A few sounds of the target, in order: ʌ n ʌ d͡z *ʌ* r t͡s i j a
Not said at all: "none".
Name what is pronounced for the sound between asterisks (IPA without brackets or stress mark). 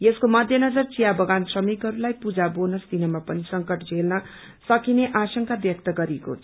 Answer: ʌ